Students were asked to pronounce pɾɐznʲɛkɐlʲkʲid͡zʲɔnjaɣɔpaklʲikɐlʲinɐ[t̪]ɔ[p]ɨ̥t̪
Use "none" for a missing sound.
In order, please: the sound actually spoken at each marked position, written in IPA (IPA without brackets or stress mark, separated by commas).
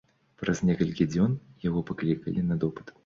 d̪, p